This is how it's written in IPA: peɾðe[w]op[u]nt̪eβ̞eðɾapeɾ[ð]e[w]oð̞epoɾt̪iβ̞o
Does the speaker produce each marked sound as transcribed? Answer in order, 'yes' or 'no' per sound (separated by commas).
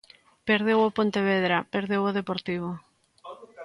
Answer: yes, no, yes, yes